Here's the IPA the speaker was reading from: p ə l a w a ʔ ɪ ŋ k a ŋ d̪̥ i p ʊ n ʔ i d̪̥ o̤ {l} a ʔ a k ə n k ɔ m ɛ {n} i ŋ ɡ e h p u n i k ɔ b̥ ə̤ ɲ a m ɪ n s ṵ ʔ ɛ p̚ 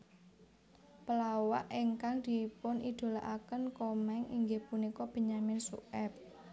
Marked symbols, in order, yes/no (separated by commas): yes, no